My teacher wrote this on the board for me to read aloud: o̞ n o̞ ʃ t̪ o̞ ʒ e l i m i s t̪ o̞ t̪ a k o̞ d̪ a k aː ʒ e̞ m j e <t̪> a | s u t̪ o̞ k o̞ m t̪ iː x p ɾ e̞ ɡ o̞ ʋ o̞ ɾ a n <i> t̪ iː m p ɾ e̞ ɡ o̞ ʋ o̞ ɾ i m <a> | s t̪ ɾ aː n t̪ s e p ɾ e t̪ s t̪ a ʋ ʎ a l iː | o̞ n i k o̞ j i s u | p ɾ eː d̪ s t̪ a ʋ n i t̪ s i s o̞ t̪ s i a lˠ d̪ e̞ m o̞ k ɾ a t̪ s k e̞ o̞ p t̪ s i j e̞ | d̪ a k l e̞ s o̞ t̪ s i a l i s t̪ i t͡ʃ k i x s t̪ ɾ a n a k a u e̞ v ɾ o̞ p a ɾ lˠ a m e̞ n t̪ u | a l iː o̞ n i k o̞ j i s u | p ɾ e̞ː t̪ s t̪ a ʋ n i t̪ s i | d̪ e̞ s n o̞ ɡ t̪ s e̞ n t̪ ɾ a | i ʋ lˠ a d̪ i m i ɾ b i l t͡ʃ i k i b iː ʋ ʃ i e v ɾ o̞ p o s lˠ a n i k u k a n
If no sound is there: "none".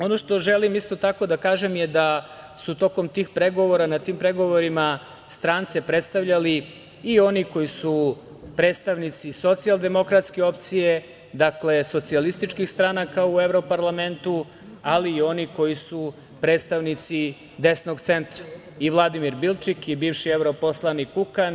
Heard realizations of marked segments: d̪, a, a

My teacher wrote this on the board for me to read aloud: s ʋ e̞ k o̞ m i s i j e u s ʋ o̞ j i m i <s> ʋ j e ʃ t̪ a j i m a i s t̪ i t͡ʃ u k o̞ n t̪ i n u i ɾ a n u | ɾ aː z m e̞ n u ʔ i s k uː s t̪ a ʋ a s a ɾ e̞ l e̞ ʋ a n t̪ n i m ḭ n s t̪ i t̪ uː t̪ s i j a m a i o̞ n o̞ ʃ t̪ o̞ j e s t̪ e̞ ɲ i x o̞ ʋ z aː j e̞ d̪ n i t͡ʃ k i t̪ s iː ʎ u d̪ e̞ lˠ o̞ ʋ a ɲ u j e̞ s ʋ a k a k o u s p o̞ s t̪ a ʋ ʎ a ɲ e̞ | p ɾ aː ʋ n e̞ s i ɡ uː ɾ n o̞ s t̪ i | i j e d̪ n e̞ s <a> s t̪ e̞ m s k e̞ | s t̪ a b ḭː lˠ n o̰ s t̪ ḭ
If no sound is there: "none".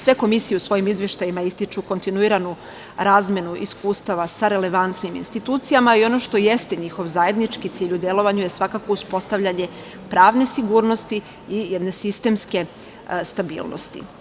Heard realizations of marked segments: z, i

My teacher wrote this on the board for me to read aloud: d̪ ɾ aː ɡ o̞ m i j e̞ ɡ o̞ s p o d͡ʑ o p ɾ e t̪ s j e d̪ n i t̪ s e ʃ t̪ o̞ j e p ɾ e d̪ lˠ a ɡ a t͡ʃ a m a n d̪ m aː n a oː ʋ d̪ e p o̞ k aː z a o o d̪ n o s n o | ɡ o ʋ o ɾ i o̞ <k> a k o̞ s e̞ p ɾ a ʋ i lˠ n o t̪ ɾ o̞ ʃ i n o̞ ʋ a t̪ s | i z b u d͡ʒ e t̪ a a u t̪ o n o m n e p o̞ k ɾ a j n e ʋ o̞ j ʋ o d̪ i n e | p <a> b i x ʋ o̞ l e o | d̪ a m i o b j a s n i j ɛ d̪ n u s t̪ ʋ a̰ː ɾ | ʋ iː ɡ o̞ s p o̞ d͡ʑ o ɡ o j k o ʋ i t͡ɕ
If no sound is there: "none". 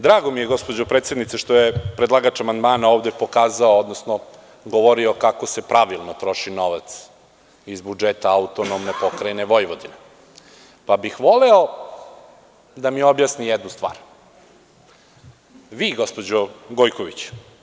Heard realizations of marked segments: k, a

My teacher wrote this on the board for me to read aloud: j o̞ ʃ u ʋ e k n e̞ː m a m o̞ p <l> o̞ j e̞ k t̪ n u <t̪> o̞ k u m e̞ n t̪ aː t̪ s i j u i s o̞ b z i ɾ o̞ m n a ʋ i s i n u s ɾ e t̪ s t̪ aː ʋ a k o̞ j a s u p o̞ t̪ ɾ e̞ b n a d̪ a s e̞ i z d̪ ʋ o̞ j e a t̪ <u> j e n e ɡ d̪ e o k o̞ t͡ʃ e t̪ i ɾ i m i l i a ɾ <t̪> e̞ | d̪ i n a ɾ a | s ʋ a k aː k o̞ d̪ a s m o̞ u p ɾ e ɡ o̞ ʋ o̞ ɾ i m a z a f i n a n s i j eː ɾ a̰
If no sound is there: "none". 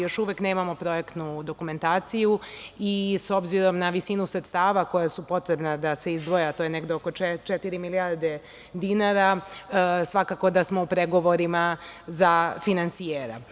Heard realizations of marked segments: ɾ, d̪, o, d̪

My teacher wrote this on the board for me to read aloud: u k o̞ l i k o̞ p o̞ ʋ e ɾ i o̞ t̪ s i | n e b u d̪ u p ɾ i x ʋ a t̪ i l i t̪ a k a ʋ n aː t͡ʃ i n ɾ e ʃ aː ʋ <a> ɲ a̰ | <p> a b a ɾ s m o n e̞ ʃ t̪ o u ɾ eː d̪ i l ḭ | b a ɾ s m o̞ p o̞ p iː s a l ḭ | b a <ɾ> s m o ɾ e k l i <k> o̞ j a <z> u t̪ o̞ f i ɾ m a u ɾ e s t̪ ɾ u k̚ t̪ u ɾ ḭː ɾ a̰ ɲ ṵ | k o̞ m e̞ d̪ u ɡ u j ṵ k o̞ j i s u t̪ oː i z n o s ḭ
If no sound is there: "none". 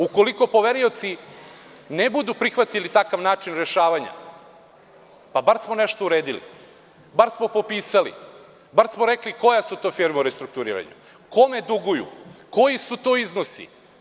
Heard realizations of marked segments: a, p, ɾ, k, s

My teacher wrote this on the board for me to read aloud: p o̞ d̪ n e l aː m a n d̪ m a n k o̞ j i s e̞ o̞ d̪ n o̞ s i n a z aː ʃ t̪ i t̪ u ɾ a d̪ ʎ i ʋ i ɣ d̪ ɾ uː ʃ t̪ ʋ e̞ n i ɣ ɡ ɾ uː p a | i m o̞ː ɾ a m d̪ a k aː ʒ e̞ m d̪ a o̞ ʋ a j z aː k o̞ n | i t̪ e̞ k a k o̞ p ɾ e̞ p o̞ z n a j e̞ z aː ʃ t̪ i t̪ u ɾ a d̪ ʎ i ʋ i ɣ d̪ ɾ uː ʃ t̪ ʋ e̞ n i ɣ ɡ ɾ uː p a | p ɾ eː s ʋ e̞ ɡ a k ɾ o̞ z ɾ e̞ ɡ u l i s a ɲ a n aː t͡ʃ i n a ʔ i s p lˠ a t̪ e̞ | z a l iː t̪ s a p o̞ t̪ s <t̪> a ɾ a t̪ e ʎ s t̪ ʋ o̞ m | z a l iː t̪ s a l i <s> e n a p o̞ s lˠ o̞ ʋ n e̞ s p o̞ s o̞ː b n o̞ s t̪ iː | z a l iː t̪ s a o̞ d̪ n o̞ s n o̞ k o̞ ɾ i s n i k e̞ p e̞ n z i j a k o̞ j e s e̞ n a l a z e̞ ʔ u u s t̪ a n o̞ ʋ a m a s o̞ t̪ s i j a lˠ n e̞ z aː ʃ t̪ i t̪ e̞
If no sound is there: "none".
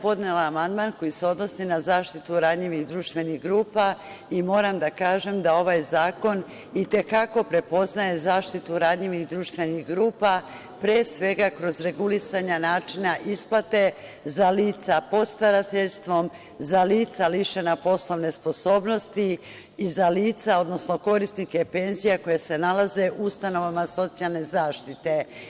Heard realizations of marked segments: t̪, ʃ

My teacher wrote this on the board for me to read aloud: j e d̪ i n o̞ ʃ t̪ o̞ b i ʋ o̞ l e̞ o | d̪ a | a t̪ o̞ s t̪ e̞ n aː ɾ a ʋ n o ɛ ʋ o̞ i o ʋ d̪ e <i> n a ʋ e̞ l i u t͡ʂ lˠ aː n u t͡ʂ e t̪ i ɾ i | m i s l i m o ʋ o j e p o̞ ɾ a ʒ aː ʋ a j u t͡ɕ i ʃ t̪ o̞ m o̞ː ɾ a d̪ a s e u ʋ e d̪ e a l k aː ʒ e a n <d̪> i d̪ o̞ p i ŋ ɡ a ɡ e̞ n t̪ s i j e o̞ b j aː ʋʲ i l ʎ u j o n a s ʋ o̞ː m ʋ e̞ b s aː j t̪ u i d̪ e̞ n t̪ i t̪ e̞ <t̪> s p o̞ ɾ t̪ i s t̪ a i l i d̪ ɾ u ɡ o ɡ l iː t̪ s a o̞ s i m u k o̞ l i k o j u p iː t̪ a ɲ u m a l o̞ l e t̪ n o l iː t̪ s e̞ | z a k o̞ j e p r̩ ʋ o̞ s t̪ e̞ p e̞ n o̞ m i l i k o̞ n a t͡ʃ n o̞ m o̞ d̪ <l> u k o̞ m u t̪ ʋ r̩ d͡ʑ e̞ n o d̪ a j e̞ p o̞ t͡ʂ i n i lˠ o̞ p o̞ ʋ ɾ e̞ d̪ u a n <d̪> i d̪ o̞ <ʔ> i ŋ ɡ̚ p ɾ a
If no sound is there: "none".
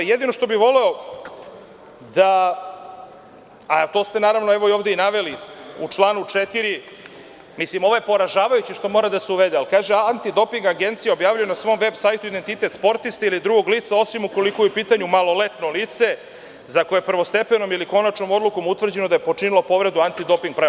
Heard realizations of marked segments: i, t̪, t̪, l, t̪, p

